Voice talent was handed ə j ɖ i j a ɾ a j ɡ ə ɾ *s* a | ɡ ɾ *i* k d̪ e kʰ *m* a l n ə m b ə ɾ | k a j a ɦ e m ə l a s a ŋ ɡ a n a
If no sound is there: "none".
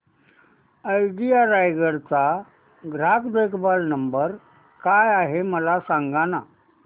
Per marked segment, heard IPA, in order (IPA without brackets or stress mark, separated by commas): t͡s, a, b